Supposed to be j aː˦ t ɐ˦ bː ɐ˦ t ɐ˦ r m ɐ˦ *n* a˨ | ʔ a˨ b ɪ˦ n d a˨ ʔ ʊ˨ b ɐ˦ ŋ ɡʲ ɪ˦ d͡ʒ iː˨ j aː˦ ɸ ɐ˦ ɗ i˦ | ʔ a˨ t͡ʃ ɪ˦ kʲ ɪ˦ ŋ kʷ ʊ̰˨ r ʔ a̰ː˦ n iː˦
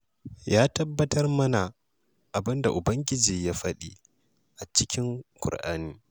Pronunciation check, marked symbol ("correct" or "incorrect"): correct